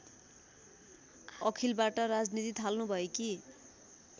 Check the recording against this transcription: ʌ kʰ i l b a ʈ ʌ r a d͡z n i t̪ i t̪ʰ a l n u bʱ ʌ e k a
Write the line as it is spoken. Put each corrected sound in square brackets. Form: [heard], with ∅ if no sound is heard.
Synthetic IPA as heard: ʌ kʰ i l b a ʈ ʌ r a d͡z n i t̪ i t̪ʰ a l n u bʱ ʌ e k [i]